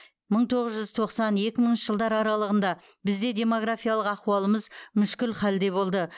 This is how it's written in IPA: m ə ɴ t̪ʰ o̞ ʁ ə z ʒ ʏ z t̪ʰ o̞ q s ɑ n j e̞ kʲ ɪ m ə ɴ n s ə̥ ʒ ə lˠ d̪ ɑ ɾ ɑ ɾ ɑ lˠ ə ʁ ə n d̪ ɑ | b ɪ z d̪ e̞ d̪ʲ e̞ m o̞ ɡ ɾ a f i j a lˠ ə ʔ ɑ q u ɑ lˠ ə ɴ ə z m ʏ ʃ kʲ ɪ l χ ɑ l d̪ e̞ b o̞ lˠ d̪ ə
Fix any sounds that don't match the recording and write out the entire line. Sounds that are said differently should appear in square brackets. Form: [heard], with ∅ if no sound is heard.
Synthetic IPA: m ə ɴ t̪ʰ o̞ ʁ ə z ʒ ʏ z t̪ʰ o̞ q s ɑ n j e̞ kʲ ɪ m ə ɴ n [ʃ] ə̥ ʒ ə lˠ d̪ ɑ ɾ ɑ ɾ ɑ lˠ ə ʁ ə n d̪ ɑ | b ɪ z d̪ e̞ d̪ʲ e̞ m o̞ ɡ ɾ a f i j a lˠ ə [q] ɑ q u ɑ lˠ ə [m] ə z m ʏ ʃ kʲ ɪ l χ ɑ l d̪ e̞ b o̞ lˠ d̪ ə